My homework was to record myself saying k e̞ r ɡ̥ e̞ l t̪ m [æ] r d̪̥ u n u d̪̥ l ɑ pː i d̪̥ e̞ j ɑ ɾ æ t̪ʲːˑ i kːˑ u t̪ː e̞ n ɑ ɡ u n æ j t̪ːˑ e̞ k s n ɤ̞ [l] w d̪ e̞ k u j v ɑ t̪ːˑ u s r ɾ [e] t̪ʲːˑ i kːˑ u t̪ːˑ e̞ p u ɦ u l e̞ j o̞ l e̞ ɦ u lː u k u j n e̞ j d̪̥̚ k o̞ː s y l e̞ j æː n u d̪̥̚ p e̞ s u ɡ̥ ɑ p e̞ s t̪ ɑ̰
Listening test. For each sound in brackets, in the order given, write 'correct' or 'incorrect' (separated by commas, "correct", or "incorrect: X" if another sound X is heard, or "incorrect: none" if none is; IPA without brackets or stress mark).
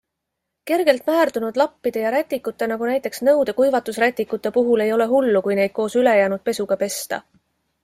incorrect: æː, incorrect: none, incorrect: æ